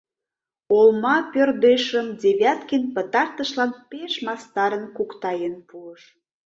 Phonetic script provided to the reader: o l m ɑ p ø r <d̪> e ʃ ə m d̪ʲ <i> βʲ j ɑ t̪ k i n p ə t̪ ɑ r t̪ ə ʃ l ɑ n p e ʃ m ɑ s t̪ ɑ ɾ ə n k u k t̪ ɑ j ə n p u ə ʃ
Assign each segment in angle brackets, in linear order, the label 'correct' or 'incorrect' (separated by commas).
correct, incorrect